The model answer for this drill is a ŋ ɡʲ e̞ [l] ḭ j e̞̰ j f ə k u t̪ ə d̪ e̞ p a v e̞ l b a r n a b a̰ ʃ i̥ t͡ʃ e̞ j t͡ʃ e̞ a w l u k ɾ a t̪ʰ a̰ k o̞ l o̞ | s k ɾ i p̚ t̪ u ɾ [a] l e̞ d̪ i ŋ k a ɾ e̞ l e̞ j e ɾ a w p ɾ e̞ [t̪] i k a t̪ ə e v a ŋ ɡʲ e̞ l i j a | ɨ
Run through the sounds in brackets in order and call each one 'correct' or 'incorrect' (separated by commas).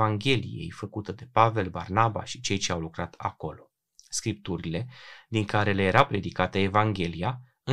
correct, incorrect, incorrect